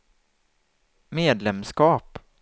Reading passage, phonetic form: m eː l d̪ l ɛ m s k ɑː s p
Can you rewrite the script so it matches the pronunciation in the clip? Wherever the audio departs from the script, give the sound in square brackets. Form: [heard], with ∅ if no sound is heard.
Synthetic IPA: m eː [∅] d̪ l ɛ m s k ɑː [∅] p